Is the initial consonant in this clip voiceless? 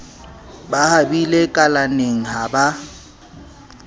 no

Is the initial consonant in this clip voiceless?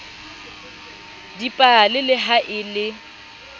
no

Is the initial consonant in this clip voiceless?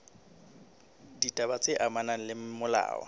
no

